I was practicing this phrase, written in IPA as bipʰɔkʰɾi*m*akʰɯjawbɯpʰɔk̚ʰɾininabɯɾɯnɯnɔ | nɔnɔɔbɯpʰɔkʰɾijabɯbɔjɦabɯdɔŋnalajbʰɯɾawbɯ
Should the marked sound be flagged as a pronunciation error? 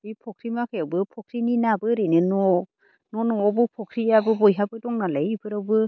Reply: no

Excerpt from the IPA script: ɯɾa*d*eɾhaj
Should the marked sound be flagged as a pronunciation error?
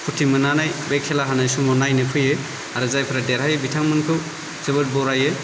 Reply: no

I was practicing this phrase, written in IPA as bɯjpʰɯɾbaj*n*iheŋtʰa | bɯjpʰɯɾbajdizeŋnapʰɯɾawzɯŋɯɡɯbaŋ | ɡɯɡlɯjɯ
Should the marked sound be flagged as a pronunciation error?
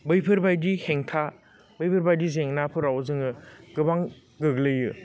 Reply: yes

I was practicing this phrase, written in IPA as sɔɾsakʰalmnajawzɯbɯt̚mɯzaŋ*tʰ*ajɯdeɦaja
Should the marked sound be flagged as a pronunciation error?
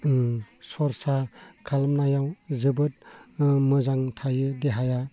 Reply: no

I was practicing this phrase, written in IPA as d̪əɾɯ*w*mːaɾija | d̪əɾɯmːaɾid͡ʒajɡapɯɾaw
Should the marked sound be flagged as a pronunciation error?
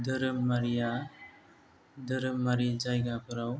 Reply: yes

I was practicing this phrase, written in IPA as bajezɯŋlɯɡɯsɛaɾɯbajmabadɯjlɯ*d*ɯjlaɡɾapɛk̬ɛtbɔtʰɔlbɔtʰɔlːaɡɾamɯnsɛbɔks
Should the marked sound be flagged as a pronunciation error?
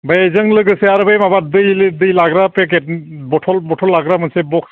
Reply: no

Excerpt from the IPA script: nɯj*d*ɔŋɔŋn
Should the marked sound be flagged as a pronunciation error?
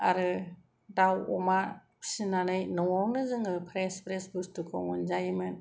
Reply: yes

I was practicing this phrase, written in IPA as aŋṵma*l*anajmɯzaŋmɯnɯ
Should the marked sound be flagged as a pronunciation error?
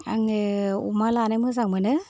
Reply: no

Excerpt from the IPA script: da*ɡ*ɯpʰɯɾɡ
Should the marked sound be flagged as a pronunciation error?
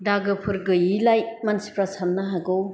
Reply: no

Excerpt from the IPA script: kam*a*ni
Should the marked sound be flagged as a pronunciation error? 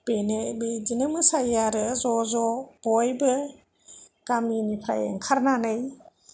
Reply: yes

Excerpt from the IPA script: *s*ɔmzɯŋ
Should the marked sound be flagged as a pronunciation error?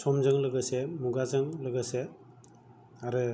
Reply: no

